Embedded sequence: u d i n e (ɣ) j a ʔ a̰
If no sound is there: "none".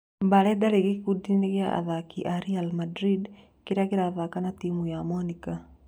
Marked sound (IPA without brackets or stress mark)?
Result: ɣ